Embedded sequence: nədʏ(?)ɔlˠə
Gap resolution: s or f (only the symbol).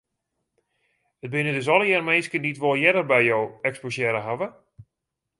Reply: s